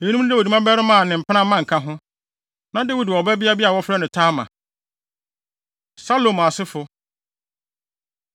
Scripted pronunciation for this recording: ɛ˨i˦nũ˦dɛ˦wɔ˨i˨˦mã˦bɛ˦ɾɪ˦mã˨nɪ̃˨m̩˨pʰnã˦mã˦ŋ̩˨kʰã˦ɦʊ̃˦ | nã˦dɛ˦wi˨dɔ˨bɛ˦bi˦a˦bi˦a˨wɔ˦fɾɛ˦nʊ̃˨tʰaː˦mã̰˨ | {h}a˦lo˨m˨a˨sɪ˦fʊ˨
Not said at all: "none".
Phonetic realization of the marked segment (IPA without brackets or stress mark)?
s